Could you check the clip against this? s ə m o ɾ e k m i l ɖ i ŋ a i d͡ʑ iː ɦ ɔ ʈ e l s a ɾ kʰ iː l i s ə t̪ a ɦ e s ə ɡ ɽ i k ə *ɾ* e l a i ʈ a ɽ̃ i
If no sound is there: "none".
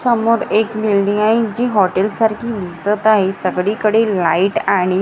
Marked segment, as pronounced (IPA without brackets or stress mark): ɽ